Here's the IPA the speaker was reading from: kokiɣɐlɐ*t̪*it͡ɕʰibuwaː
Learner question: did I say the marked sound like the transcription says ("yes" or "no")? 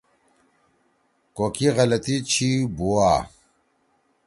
yes